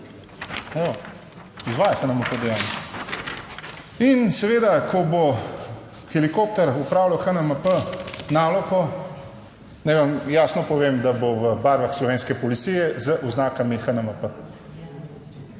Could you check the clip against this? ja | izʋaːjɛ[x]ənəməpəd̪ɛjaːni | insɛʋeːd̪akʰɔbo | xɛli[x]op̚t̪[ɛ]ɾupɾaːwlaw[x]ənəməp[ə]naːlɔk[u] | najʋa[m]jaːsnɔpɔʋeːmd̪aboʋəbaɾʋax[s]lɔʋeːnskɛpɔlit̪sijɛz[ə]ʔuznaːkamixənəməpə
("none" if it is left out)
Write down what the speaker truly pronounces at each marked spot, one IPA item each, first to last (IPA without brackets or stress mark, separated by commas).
x, k, ɛ, x, ə, ɔ, m, s, ə